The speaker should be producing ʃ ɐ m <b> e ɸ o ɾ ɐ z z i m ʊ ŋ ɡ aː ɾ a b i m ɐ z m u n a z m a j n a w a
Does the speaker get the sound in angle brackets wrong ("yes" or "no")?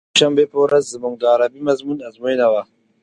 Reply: no